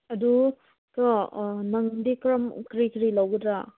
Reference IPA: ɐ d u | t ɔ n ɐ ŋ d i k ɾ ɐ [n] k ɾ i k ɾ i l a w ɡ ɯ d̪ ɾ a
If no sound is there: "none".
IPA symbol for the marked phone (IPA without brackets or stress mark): m